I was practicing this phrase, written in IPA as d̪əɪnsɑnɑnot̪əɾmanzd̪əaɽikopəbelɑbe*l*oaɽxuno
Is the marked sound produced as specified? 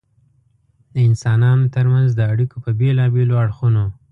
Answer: yes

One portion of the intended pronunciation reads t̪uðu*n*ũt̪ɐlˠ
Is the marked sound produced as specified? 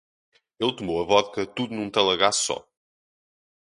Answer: yes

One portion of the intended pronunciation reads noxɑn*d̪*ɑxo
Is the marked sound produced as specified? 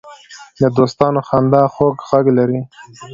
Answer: yes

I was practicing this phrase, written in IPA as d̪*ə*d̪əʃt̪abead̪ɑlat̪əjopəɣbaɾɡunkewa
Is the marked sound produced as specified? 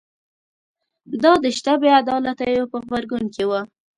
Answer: no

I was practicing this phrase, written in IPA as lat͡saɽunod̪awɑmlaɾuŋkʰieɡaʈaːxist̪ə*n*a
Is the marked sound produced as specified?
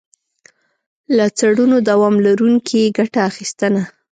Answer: yes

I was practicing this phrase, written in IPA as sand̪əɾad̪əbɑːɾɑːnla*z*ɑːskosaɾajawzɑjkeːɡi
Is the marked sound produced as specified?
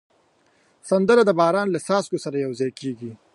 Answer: no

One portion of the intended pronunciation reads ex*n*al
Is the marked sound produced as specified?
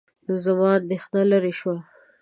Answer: yes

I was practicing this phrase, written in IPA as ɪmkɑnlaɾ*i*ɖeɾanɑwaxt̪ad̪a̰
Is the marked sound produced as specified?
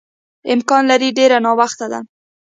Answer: yes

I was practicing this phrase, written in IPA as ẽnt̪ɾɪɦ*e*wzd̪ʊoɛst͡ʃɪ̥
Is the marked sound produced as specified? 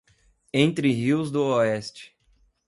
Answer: no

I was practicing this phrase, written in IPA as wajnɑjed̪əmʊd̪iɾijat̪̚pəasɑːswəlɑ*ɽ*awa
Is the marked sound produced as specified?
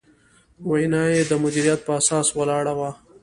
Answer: yes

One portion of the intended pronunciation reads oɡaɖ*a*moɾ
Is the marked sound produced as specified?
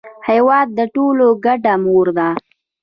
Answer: yes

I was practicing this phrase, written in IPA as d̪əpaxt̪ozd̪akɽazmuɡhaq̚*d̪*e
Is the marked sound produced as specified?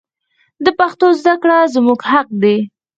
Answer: yes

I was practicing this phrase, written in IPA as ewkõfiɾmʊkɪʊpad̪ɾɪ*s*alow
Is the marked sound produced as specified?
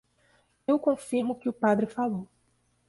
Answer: no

